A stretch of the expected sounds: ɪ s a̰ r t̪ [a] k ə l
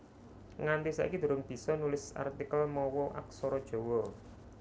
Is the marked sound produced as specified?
no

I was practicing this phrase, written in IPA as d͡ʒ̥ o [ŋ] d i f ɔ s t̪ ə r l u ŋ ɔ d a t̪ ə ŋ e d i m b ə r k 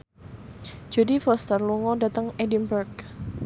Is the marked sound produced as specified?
no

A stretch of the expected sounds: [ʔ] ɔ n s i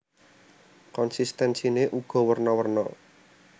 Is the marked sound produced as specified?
no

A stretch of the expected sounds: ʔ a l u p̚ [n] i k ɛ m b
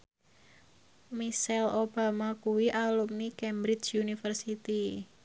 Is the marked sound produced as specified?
yes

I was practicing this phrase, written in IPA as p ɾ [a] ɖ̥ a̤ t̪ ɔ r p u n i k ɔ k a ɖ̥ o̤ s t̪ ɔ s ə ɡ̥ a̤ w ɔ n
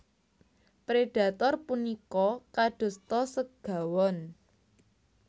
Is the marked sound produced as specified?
no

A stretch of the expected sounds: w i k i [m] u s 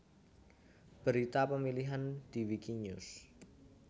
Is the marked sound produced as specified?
no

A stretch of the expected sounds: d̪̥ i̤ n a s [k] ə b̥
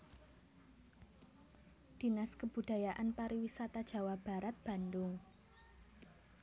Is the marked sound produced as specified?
yes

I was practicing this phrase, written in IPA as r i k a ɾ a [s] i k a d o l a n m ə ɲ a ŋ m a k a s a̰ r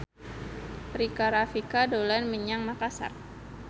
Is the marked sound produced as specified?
no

